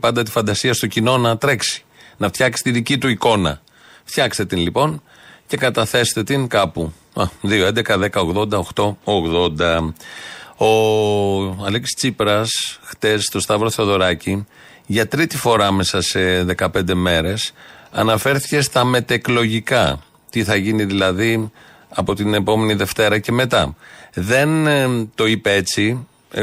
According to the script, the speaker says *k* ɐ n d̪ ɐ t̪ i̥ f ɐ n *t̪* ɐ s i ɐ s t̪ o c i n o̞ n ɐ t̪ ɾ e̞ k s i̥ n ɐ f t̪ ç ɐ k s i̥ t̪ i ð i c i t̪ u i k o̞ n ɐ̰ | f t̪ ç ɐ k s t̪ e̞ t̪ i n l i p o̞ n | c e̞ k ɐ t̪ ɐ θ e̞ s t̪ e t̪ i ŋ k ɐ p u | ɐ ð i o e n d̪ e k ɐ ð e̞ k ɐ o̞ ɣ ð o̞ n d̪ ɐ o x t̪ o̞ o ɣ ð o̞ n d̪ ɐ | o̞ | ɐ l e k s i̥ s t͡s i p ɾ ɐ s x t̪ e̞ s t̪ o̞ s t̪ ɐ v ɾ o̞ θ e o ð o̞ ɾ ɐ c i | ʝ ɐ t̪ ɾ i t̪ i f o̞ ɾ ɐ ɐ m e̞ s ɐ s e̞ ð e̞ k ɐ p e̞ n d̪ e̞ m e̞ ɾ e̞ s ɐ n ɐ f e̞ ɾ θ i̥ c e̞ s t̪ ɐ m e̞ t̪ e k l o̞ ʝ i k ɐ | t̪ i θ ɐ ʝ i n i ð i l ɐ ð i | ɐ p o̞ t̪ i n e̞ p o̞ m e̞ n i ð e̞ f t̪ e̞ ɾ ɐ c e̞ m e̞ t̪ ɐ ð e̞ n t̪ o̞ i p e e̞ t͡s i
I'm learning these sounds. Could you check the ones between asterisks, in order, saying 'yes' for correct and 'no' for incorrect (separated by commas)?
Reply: no, no